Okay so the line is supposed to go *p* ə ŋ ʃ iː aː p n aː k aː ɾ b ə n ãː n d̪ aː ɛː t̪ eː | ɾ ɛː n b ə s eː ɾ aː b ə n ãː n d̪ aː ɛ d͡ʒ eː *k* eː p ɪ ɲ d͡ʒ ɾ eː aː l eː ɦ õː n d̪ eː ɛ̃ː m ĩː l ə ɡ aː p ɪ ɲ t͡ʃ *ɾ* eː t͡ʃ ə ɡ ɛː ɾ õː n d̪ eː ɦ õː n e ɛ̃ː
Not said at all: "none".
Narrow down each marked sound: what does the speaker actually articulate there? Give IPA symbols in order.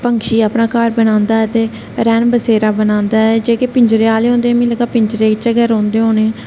p, k, ɾ

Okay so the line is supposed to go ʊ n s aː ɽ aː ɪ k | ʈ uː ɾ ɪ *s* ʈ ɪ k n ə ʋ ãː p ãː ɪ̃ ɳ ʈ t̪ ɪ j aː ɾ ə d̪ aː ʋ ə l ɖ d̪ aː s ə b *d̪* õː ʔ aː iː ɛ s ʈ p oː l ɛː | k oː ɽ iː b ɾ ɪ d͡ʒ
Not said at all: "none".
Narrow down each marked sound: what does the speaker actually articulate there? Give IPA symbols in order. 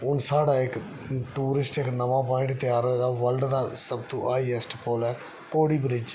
s, t̪

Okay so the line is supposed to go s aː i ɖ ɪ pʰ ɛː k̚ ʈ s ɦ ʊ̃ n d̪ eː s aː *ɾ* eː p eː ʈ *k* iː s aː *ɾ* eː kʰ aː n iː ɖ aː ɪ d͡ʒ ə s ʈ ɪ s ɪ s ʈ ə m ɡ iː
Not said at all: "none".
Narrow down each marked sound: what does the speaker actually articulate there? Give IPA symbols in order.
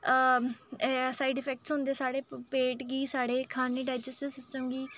ɽ, ɡ, ɽ

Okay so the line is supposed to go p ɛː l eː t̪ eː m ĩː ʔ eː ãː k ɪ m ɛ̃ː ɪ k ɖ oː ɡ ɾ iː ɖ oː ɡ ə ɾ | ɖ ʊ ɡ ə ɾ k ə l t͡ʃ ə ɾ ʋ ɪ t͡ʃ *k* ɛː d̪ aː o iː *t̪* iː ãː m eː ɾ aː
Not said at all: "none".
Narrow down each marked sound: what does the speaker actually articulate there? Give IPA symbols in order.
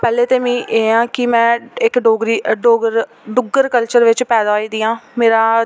p, d̪

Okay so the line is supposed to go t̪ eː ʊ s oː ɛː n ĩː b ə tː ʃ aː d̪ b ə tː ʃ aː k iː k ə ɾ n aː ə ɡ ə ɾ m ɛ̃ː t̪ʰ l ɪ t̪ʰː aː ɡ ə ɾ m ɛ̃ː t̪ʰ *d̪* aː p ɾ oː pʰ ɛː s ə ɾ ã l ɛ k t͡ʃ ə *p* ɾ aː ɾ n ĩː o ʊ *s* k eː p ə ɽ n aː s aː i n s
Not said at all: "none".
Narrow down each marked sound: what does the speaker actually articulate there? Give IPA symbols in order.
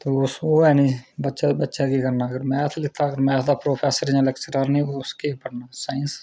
d̪, none, s

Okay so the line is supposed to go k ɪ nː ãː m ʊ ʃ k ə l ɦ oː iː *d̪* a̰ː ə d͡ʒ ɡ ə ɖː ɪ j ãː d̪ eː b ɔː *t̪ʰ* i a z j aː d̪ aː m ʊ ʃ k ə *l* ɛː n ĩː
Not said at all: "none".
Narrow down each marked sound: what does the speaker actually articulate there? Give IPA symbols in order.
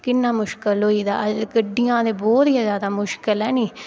d̪, t̪, l

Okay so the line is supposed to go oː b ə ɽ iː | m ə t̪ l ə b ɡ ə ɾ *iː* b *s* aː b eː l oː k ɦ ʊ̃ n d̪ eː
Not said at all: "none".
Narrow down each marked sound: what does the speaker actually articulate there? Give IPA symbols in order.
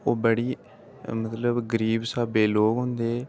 iː, s

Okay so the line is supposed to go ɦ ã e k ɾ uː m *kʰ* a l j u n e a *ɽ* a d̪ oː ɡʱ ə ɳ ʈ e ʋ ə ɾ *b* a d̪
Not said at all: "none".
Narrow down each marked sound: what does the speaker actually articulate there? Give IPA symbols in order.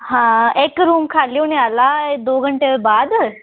kʰ, l, b

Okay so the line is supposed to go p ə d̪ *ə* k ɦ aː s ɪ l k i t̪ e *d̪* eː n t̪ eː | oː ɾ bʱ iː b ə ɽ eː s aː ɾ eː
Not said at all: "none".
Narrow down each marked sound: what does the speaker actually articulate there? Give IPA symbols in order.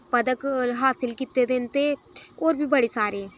ə, d̪

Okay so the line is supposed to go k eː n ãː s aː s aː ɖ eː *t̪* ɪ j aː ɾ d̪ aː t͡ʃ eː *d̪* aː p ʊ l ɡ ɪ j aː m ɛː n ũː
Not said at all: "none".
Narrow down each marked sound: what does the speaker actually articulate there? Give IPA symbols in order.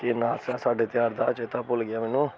t̪, t̪

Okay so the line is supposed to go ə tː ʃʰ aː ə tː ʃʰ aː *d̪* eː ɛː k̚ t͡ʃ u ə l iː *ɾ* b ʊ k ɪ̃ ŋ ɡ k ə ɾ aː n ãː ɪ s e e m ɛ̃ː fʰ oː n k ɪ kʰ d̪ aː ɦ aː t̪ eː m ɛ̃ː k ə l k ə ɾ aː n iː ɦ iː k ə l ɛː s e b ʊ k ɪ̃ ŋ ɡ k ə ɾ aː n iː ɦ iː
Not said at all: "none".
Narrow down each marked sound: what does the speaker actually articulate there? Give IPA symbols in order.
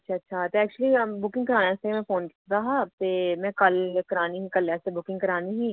t̪, none

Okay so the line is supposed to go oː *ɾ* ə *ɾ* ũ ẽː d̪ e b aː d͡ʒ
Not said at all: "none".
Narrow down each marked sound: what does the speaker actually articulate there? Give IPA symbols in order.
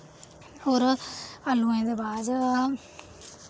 ɾ, l

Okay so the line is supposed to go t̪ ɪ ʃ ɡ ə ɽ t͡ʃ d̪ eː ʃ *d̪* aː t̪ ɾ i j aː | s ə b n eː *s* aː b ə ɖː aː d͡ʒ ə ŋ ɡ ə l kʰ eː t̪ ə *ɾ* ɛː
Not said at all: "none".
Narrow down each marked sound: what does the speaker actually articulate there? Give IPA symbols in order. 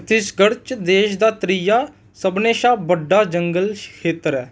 d̪, ʃ, ɾ

